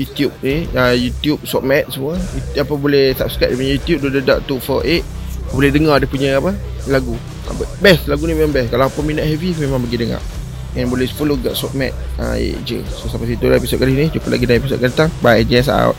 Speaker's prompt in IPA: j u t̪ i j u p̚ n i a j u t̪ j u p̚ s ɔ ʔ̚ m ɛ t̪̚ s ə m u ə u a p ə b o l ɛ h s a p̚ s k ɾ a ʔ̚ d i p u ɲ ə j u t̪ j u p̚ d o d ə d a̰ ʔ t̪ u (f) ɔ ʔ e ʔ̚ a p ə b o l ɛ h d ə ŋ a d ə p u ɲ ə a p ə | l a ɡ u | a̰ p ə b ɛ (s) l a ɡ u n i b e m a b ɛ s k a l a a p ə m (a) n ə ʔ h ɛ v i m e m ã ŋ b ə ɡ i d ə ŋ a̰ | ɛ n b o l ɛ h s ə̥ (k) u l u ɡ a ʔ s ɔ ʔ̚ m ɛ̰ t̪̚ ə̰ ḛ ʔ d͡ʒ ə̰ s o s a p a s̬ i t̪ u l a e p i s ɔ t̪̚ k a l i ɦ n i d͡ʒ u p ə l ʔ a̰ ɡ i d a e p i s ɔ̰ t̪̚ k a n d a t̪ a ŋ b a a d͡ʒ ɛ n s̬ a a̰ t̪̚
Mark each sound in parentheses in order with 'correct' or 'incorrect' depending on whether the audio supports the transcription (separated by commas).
correct, correct, incorrect, incorrect